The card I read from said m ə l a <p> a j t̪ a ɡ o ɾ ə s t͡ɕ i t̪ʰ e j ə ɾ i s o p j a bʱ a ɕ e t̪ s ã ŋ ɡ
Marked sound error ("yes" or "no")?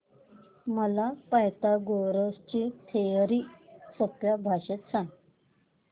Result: no